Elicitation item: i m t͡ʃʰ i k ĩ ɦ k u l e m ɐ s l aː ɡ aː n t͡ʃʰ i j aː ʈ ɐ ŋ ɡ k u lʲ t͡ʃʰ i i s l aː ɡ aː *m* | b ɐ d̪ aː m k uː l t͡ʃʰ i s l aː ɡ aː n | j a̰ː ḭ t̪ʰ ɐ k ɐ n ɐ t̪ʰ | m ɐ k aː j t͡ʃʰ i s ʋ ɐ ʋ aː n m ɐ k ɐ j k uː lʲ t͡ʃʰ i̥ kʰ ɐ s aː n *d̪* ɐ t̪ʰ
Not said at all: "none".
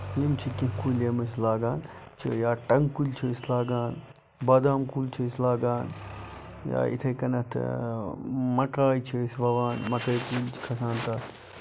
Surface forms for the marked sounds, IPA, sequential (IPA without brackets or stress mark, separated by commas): n, t̪